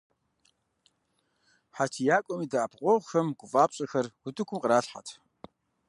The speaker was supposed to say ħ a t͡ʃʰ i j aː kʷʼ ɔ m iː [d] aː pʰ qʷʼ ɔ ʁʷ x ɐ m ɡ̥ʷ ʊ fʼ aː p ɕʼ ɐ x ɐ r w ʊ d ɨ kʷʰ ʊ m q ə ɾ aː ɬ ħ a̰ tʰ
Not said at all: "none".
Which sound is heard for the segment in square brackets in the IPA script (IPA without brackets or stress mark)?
d